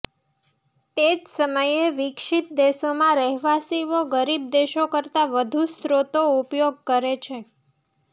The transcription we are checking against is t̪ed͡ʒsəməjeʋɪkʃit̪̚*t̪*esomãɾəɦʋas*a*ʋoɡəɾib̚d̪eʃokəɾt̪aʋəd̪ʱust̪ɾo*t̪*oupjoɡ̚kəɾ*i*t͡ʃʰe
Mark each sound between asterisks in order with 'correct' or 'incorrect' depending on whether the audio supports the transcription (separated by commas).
incorrect, incorrect, correct, incorrect